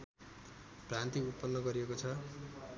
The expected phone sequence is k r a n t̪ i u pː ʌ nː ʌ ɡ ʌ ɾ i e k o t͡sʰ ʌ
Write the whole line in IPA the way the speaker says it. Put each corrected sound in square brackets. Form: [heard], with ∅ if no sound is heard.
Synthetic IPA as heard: [p] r a n t̪ i u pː ʌ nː ʌ ɡ ʌ ɾ i e k o t͡sʰ ʌ